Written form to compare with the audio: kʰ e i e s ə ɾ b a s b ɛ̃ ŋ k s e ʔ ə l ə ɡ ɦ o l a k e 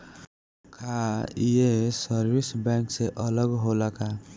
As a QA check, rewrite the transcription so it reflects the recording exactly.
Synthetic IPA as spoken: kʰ a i e s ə ɾ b i s b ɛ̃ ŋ k s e ʔ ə l ə ɡ ɦ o l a k a